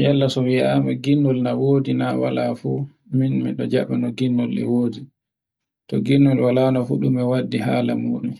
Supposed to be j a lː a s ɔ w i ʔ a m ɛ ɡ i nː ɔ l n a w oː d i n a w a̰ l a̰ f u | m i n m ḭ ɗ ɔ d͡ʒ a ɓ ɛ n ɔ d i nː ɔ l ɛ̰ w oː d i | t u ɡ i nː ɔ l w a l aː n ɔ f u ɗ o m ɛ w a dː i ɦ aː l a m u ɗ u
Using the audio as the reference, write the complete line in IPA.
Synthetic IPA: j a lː a s ɔ w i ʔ a m ɛ ɡ i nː ɔ l n a w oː d i n a w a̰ l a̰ f u | m i n m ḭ ɗ ɔ d͡ʒ a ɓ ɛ n ɔ ɡ i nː ɔ l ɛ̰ w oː d i | t ɔ ɡ i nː ɔ l w a l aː n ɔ f u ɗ u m ɛ w a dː i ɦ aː l a m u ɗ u